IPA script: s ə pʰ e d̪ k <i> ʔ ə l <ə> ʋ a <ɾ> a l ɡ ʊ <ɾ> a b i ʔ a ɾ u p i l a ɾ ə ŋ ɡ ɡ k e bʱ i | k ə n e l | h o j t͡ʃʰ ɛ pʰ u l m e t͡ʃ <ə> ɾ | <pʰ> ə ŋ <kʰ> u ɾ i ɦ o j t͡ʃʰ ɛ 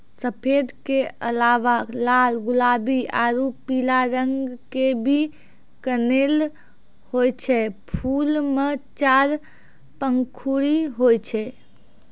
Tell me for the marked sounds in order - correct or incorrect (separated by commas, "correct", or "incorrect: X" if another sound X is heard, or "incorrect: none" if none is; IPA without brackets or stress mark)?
incorrect: e, incorrect: a, incorrect: l, incorrect: l, incorrect: a, incorrect: p, correct